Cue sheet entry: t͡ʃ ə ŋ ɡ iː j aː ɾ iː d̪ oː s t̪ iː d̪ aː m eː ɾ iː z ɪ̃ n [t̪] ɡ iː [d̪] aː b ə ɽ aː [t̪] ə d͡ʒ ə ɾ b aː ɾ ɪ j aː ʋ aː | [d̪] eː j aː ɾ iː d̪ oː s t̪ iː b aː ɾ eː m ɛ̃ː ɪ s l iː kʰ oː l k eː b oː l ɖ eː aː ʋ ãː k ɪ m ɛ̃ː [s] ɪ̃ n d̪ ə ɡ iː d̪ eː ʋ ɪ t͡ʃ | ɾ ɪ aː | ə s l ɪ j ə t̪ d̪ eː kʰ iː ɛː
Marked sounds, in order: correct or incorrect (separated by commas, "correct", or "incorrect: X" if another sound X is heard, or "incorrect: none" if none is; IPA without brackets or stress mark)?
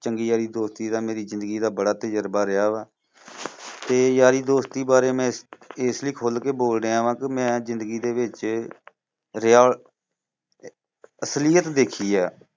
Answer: incorrect: d̪, correct, correct, incorrect: t̪, incorrect: z